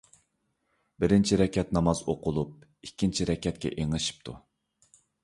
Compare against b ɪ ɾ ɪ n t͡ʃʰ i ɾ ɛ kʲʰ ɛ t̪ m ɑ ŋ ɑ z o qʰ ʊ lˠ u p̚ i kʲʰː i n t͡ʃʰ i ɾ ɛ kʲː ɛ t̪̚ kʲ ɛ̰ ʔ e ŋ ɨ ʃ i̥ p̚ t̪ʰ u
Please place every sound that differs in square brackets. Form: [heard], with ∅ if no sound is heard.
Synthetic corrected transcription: b ɪ ɾ ɪ n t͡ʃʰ i ɾ ɛ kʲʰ ɛ t̪ [n] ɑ [m] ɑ z o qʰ ʊ lˠ u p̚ i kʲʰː i n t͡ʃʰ i ɾ ɛ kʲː ɛ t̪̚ kʲ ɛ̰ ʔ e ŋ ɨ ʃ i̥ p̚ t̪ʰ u